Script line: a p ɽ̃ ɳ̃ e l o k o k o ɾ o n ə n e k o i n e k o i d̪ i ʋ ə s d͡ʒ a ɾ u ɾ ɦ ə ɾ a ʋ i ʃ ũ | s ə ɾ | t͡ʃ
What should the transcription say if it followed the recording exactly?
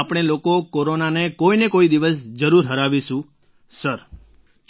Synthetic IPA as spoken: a p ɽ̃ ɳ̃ e l o k o k o ɾ o n a n e k o i n e k o i d̪ i ʋ ə s d͡ʒ ə ɾ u ɾ ɦ ə ɾ a ʋ i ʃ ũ | s ə ɾ | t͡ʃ